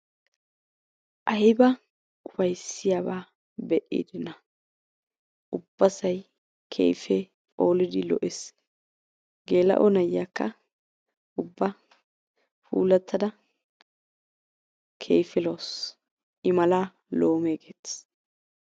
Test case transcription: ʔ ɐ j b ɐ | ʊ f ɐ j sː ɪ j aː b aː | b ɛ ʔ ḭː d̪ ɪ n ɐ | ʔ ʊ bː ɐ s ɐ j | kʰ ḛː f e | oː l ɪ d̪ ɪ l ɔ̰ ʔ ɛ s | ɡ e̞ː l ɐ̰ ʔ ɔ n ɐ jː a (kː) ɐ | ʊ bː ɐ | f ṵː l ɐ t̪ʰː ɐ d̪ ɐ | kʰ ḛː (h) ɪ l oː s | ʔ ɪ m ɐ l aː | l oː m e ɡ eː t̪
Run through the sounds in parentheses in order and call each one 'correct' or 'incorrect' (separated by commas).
correct, incorrect